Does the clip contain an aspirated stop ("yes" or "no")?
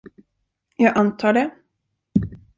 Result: yes